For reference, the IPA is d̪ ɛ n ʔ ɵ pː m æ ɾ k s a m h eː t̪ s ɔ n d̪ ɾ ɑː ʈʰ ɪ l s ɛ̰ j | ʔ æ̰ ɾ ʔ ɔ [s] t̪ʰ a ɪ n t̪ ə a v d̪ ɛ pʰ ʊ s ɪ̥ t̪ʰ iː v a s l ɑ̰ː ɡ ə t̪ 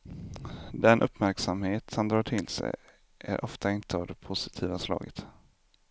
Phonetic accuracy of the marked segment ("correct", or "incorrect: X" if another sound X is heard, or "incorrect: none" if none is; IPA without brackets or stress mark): incorrect: f